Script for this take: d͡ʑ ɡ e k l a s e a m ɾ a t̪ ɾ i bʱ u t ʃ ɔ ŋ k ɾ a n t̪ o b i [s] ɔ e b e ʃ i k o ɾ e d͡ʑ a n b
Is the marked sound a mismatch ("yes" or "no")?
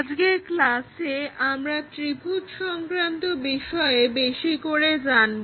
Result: yes